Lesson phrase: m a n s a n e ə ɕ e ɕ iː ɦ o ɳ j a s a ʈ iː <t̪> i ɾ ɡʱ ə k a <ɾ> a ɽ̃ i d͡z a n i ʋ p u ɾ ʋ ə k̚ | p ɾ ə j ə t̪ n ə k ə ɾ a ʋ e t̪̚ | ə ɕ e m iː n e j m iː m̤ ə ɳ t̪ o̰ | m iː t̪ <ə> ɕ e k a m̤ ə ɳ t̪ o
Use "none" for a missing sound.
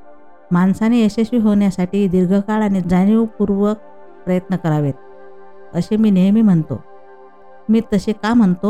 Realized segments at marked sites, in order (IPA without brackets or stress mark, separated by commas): d̪, ɭ, ə